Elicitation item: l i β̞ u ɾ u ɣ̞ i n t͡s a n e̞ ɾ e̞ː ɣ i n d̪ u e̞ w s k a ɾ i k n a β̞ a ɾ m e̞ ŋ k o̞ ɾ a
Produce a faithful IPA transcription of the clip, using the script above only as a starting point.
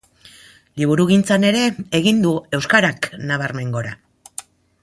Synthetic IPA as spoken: l i β̞ u ɾ u ɣ̞ i n t͡s a n e̞ ɾ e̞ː ɣ i n d̪ u e̞ w s k a ɾ a k n a β̞ a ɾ m e̞ ŋ ɡ o̞ ɾ a